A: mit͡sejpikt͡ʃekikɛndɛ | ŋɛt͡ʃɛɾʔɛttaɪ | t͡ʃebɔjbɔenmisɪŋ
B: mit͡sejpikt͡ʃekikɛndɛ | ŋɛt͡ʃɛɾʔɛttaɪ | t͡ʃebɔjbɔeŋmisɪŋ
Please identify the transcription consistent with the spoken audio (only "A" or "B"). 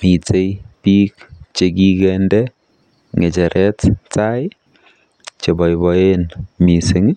A